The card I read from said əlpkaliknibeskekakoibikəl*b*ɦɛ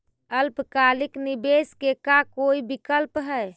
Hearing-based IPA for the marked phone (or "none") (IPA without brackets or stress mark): p